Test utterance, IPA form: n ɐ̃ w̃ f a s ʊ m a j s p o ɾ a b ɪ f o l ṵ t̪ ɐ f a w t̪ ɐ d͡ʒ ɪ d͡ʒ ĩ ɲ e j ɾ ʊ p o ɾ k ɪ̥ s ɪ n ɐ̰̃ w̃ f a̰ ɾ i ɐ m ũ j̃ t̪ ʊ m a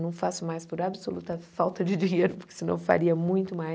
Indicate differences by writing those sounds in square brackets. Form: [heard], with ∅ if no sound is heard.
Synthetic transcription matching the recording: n ɐ̃ w̃ f a s ʊ m a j s p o ɾ a b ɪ [s] o l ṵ t̪ ɐ f a w t̪ ɐ d͡ʒ ɪ d͡ʒ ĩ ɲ e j ɾ ʊ p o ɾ k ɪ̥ s ɪ n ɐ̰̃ w̃ f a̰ ɾ i ɐ m ũ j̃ t̪ ʊ m a